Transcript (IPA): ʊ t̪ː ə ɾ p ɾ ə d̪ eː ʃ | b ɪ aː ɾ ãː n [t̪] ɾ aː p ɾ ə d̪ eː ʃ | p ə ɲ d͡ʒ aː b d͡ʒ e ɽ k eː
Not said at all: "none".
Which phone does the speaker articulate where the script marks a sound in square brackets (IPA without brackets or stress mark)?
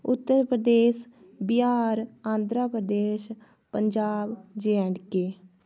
d̪